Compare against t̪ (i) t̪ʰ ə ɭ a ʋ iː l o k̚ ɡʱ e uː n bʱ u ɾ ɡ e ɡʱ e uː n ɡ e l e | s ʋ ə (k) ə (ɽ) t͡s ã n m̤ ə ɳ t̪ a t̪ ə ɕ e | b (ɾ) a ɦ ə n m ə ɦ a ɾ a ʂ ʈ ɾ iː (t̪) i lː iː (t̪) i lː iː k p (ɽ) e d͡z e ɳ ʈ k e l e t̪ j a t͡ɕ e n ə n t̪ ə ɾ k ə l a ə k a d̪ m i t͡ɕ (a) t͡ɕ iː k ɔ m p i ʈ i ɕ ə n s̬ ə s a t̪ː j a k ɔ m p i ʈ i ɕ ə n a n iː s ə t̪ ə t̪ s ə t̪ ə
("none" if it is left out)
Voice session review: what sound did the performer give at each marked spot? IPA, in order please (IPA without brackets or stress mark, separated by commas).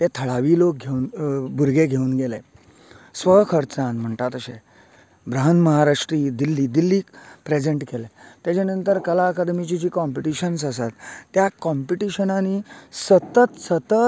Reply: e, kʰ, ɾ, ɾ, d̪, d̪, ɾ, i